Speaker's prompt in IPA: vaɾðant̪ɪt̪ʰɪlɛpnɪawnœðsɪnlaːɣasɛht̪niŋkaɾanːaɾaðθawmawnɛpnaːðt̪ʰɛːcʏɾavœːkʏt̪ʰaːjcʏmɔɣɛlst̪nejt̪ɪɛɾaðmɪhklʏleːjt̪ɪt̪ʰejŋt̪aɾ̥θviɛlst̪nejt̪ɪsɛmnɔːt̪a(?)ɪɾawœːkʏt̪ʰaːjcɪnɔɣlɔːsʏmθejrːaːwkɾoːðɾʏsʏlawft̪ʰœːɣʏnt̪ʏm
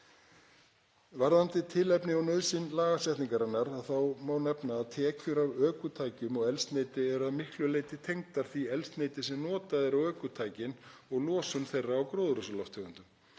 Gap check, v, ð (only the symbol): ð